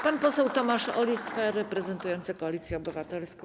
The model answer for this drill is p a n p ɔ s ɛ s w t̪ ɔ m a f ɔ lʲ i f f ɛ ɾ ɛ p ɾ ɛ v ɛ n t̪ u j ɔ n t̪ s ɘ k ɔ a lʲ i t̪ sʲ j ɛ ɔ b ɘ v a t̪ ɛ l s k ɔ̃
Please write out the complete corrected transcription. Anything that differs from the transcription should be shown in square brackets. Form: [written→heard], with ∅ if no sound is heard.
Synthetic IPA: p a n p ɔ s ɛ [s→∅] w t̪ ɔ m a [f→ʂ] ɔ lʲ i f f ɛ ɾ ɛ p ɾ ɛ [v→z] ɛ n t̪ u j ɔ n t̪ s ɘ k ɔ a lʲ i t̪ sʲ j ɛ ɔ b ɘ v a t̪ ɛ l s k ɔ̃